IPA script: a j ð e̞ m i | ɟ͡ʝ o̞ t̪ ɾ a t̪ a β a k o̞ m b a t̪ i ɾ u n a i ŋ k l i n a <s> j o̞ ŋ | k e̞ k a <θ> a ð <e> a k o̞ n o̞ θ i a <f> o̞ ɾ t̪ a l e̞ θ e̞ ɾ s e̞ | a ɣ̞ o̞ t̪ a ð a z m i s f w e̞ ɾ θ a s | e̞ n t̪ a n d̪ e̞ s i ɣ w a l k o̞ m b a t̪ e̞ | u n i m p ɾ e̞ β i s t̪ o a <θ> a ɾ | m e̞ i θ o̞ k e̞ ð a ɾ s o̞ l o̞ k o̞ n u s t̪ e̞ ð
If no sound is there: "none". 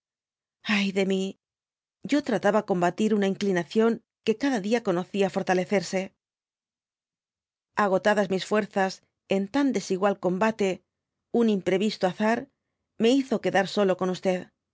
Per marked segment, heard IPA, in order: θ, ð, i, f, θ

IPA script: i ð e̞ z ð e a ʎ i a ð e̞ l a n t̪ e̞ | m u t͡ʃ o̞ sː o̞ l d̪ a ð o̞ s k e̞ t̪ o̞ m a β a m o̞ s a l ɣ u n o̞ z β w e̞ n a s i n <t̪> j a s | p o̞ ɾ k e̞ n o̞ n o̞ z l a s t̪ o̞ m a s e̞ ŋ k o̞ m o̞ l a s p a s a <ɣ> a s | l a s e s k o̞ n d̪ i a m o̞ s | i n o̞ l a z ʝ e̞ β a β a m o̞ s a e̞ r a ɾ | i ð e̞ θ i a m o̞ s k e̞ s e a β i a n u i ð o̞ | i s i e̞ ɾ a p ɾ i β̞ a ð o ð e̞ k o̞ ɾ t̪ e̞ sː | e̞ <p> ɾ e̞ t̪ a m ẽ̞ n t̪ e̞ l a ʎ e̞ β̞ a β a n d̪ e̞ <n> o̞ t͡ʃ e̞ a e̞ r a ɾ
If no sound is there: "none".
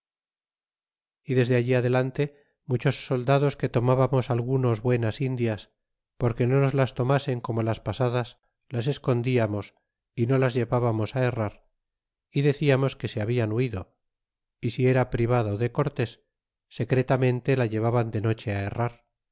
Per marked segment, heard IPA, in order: d̪, ð, k, n

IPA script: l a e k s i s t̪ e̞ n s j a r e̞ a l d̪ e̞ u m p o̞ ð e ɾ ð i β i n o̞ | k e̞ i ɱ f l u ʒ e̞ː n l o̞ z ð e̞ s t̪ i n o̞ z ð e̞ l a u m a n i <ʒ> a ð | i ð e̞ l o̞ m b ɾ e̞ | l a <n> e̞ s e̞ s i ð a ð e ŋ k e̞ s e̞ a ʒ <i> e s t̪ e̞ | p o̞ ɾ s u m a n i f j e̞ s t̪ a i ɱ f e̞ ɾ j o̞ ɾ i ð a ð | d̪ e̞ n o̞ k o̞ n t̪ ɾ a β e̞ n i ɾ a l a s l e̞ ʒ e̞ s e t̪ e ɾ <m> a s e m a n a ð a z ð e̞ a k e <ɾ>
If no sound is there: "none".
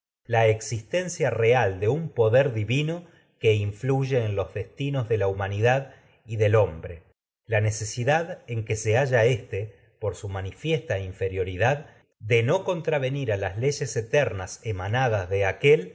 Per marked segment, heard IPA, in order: ð, n, a, n, l

